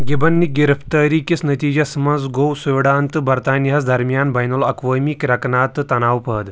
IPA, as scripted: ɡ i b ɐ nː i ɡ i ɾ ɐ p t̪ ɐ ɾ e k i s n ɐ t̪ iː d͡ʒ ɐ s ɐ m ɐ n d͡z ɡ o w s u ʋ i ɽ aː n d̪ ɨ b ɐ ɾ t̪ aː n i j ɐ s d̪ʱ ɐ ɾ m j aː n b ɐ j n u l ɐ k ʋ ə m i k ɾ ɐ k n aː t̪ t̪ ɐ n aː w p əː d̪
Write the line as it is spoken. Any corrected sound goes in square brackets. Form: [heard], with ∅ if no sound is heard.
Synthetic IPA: ɡ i b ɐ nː i ɡ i ɾ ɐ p t̪ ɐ ɾ [i] k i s n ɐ t̪ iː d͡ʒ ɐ s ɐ m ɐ n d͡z ɡ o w s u ʋ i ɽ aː n [t̪] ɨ b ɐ ɾ t̪ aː n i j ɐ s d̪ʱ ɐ ɾ m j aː n b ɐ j n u l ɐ k ʋ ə m i k ɾ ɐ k n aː t̪ t̪ ɐ n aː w p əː d̪